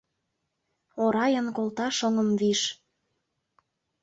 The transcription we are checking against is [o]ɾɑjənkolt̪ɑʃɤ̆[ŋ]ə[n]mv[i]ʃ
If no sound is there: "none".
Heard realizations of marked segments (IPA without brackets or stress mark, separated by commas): o, ŋ, none, i